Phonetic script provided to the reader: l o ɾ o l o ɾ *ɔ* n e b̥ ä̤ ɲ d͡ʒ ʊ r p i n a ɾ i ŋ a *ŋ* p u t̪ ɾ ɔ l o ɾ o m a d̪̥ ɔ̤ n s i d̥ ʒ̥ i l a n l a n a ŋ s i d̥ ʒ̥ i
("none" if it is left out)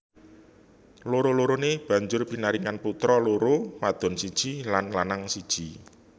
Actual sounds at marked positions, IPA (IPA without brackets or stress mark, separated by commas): o, n